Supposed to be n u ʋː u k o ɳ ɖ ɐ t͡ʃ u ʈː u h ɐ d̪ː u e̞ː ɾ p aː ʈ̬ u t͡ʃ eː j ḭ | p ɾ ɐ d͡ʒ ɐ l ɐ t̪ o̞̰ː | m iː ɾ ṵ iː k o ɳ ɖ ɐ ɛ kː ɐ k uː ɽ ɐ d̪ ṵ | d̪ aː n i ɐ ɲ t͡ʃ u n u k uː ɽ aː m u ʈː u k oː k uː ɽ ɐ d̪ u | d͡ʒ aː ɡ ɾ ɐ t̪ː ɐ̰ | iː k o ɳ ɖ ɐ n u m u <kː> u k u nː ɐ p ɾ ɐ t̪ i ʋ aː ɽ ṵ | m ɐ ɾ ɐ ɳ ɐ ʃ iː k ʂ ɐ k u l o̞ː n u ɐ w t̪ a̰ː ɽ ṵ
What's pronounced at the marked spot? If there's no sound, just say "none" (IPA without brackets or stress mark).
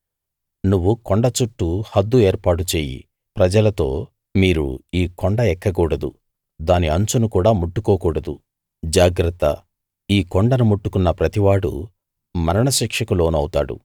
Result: ʈː